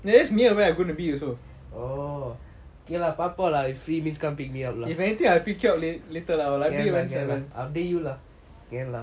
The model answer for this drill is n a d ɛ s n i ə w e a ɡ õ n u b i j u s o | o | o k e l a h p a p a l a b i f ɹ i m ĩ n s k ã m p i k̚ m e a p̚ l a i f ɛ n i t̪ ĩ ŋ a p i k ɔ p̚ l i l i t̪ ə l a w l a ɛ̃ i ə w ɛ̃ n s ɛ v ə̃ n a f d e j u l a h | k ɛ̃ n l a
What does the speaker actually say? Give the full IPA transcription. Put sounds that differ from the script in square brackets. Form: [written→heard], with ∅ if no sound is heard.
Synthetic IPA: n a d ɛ s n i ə w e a ɡ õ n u b i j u s o | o | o k e l a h p a p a l a [b→w] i f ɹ i m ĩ n s k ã m p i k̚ m [e→i] a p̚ l a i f ɛ n i t̪ ĩ ŋ a p i k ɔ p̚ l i l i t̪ ə l a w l a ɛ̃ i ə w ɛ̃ n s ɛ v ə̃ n a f d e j u l a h | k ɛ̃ n l a